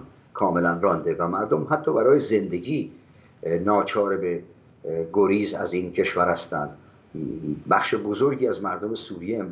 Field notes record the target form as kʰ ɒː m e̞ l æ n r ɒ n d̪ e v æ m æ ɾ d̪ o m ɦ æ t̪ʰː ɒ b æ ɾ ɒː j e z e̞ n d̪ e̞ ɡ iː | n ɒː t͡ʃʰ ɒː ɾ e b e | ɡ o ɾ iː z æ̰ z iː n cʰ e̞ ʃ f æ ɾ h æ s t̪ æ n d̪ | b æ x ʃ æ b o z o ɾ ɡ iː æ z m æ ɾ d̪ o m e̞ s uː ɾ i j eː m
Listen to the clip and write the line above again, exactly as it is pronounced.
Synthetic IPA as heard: kʰ ɒː m e̞ l æ n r ɒ n d̪ e v æ m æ ɾ d̪ o m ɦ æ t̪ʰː ɒː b æ ɾ ɒː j e z e̞ n d̪ e̞ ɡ iː | n ɒː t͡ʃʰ ɒː ɾ e b e | ɡ o ɾ iː z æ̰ z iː n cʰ e̞ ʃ v æ ɾ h æ s t̪ æ n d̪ | b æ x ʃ e b o z o ɾ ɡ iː æ z m æ ɾ d̪ o m e̞ s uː ɾ i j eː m